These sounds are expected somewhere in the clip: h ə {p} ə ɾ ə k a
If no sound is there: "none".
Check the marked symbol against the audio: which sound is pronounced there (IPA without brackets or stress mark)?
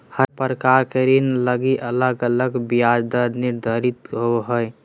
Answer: p